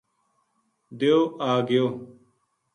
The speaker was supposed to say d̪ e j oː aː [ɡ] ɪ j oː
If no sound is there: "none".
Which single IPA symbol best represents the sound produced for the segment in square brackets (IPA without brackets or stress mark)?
ɡ